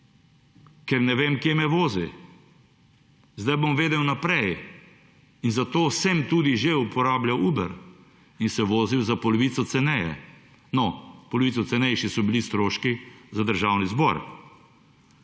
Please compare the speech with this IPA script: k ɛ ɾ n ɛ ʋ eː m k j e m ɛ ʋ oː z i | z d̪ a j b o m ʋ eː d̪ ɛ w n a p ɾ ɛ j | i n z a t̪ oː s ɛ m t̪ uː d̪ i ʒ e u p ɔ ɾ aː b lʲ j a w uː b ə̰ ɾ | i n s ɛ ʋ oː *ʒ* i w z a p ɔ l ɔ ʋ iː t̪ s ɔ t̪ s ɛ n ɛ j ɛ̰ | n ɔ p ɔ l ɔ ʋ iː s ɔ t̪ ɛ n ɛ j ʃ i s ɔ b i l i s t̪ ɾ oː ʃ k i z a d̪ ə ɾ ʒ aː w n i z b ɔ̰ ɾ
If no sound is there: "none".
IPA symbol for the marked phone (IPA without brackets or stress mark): z